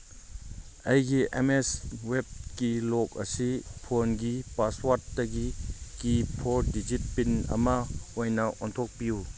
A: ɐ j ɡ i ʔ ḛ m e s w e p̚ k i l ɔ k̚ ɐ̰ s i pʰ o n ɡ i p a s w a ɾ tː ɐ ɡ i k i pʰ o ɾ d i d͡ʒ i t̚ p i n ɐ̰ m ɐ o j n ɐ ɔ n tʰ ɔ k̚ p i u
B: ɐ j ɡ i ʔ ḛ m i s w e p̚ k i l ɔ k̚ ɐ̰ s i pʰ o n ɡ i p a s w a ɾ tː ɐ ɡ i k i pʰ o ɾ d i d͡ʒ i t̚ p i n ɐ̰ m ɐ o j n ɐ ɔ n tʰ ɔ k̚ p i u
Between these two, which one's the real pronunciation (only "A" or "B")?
A